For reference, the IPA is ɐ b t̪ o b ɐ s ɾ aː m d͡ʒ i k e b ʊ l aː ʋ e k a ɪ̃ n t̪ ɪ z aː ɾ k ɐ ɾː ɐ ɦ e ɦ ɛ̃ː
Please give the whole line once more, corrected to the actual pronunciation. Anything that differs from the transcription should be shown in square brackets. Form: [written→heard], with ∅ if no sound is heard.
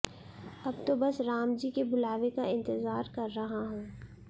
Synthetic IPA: ɐ b t̪ o b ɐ s ɾ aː m d͡ʒ i k e b ʊ l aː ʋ e k a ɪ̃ n t̪ ɪ z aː ɾ k ɐ ɾː ɐ ɦ [e→a] ɦ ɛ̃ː